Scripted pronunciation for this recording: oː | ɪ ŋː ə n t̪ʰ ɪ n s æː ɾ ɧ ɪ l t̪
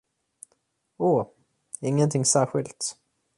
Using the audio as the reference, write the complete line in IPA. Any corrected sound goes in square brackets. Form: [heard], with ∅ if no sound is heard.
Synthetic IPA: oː | ɪ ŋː ə n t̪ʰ ɪ [ŋ] s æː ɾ ɧ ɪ l t̪